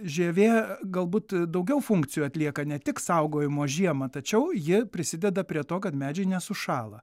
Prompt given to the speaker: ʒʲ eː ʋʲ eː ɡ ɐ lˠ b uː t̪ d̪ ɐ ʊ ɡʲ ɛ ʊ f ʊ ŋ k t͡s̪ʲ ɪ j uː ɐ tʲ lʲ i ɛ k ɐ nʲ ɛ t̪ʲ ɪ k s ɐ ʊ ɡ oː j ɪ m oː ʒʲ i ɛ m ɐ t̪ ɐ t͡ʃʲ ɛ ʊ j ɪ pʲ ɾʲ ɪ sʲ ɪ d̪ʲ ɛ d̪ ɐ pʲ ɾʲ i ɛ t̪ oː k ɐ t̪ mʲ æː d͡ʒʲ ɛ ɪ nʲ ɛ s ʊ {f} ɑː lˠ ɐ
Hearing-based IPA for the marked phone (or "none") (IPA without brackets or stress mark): ʃ